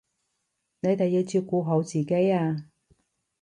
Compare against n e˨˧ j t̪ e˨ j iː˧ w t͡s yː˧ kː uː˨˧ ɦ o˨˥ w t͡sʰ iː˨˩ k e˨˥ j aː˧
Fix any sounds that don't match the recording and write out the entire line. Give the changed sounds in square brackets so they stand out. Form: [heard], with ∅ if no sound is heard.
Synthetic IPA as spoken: n e˨˧ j t̪ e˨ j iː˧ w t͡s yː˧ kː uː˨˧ ɦ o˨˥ w [t͡s] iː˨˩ k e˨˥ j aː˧